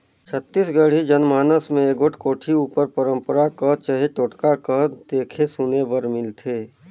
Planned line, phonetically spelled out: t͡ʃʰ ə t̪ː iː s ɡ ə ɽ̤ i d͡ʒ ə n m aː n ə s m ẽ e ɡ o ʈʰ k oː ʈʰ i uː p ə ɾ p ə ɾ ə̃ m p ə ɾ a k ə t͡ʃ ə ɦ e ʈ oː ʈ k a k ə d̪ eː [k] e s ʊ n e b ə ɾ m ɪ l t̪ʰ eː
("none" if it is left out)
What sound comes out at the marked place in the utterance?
kʰ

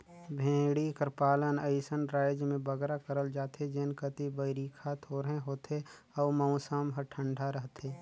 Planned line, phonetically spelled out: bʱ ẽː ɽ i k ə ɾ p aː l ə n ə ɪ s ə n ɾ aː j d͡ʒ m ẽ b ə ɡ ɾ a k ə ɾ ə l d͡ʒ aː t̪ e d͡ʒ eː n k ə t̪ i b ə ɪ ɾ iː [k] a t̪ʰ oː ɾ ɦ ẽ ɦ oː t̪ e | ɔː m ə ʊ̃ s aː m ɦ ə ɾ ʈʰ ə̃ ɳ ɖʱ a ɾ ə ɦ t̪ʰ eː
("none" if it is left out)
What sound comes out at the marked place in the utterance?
kʰ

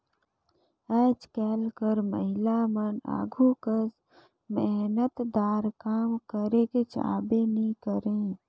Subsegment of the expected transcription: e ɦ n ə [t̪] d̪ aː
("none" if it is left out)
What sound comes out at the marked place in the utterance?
t̪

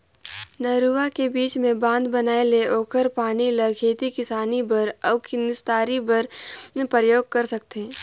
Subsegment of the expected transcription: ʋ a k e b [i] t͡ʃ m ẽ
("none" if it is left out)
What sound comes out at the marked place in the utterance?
iː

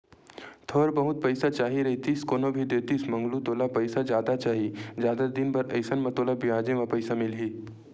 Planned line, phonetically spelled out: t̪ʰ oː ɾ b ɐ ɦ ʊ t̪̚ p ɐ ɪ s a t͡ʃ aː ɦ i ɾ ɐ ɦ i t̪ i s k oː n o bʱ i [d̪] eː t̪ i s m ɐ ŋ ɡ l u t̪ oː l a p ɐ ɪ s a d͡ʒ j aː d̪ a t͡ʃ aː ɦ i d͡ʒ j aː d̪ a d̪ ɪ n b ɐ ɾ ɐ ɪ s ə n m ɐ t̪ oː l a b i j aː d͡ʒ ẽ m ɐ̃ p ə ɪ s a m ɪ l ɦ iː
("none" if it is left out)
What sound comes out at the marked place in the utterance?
d̪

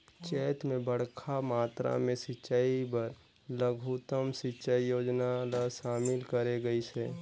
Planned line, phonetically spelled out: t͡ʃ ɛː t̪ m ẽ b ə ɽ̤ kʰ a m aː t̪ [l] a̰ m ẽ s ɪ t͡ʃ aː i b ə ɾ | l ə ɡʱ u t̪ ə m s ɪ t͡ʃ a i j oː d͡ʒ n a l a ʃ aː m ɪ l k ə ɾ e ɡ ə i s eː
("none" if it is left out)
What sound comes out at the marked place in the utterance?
ɾ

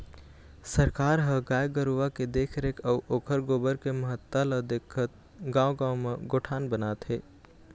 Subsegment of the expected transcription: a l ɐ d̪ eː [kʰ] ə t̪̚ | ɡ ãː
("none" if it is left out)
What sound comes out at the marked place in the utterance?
kʰ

